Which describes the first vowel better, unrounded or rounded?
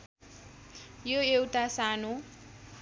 rounded